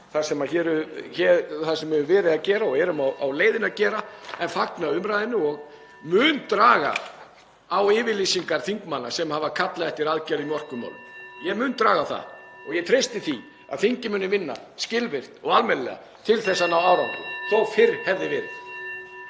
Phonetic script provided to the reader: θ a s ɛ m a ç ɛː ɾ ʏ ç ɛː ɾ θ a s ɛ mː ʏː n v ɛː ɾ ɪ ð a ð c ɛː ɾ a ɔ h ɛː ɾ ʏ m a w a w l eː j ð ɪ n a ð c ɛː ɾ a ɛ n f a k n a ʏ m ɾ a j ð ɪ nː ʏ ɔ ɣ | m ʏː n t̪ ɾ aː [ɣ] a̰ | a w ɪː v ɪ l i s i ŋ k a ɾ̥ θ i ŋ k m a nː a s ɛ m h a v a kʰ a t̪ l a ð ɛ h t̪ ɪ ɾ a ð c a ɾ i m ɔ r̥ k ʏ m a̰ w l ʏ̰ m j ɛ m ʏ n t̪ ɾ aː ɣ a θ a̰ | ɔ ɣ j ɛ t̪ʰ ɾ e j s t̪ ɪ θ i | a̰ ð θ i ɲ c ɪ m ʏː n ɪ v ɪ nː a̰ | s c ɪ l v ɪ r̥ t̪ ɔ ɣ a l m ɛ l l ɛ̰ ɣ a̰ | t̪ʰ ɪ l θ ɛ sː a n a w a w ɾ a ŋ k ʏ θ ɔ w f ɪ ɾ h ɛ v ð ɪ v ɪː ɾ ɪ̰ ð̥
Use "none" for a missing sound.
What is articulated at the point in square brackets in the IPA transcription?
ɣ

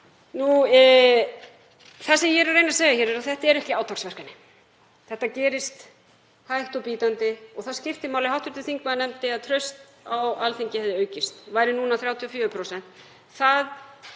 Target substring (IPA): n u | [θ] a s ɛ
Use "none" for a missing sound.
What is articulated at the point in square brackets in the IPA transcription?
θ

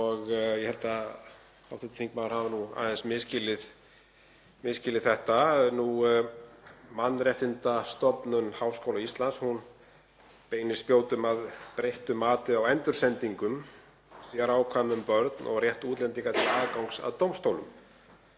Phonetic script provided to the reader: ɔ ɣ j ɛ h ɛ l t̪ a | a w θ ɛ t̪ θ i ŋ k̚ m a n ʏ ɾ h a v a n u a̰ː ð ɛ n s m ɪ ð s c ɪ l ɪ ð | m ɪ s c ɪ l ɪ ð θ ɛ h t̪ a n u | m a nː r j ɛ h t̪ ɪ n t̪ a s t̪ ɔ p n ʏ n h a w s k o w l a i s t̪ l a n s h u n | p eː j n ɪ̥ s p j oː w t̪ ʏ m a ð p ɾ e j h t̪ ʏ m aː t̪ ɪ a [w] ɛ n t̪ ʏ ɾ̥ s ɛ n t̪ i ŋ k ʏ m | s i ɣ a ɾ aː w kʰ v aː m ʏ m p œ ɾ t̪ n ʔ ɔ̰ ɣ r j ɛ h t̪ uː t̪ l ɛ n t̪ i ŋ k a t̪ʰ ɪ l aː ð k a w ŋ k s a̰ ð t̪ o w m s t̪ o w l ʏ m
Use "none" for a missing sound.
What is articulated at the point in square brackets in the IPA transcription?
w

